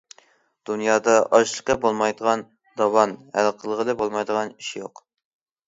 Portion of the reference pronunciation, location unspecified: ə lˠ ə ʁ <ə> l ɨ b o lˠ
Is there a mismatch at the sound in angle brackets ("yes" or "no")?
no